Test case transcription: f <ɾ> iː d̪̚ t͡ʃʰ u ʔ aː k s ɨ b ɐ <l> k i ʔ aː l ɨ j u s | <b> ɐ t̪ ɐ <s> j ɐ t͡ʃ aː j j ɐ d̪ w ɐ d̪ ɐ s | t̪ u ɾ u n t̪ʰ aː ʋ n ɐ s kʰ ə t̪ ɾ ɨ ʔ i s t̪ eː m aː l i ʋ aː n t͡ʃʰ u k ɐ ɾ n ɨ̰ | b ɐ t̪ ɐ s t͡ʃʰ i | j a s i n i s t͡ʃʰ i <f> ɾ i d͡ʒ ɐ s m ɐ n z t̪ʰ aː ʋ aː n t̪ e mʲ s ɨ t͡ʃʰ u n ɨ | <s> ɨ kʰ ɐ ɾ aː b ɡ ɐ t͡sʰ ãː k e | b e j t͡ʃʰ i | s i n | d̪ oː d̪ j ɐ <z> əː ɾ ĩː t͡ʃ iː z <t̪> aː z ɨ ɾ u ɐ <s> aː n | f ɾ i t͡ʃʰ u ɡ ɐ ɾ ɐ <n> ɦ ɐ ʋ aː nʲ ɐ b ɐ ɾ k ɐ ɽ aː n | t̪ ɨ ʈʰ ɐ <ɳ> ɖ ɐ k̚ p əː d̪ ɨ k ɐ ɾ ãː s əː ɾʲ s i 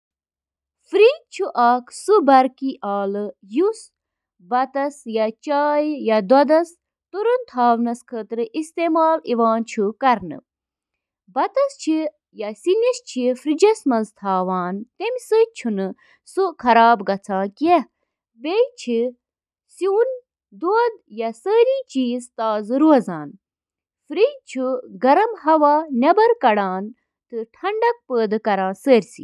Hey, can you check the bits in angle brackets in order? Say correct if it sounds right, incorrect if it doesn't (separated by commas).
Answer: correct, incorrect, correct, correct, correct, correct, incorrect, correct, incorrect, incorrect, correct